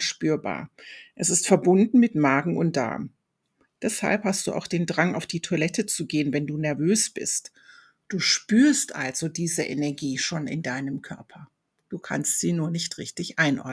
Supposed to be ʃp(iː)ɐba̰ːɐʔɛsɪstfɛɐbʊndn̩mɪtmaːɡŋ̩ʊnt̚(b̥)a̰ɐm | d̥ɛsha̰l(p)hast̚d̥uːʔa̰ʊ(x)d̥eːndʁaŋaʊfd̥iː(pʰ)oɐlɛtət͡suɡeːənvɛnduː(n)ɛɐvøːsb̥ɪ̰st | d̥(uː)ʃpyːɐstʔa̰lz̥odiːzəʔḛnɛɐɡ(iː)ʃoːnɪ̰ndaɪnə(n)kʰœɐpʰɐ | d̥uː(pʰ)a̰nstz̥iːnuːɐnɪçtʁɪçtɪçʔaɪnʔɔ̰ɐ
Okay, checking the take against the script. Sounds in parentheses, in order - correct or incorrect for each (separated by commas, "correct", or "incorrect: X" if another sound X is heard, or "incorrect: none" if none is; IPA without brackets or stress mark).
incorrect: yː, incorrect: d̥, correct, correct, incorrect: tʰ, correct, correct, correct, incorrect: m, incorrect: kʰ